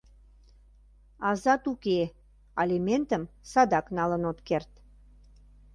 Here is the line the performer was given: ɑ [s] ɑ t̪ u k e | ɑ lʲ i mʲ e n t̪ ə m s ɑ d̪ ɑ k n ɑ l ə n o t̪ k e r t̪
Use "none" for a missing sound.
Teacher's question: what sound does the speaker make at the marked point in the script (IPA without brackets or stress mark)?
z